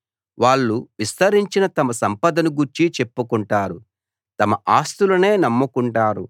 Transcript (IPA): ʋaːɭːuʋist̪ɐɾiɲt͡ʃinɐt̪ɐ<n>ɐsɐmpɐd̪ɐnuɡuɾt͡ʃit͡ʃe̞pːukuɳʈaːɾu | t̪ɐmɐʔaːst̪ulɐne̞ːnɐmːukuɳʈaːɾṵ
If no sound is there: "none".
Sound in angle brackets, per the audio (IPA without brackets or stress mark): m